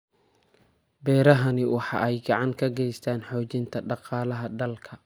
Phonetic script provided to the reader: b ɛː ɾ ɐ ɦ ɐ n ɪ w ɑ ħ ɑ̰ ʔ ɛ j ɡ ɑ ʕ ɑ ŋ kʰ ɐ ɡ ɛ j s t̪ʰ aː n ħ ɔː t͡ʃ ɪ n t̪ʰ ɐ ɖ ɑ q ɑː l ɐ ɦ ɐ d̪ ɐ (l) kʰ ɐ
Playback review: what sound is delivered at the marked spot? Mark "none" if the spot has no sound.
l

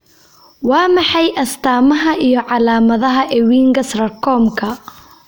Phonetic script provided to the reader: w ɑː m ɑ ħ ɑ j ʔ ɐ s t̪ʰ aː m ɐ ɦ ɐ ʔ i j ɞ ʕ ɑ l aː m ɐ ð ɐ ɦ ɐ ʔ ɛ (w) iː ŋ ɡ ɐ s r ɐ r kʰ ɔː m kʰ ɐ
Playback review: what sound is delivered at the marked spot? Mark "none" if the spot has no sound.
w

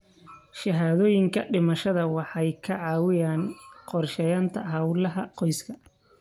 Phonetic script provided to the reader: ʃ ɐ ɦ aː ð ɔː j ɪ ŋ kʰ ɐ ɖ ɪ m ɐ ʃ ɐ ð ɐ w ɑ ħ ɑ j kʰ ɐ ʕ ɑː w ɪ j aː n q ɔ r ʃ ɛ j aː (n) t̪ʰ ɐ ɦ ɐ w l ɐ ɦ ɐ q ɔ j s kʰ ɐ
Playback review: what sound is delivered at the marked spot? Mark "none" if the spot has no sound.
n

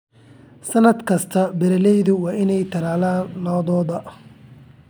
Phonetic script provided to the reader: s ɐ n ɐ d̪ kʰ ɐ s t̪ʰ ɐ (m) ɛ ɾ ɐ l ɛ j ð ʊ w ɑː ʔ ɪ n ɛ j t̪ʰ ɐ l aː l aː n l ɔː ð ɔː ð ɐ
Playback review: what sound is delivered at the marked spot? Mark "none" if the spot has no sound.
b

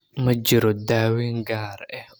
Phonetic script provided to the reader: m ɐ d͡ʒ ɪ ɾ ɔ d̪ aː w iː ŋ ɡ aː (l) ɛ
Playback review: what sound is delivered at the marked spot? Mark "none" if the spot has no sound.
ɾ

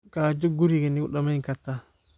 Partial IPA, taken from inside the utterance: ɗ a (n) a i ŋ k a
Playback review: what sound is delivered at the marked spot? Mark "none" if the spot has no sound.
m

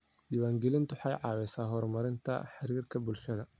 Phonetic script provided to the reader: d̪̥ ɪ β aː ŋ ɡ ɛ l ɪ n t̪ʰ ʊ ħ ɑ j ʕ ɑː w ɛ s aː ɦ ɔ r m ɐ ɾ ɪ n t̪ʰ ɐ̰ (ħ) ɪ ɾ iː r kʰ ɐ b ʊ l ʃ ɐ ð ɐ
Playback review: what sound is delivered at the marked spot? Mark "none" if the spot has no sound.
ħ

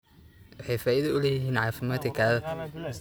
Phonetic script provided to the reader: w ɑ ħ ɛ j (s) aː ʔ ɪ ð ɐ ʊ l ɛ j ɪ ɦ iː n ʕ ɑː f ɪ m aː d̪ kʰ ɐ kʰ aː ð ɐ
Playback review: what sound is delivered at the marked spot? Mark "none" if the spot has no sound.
f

